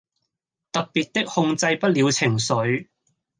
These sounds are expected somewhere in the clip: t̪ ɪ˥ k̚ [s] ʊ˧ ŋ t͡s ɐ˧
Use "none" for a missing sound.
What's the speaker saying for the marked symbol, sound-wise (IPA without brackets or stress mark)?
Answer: h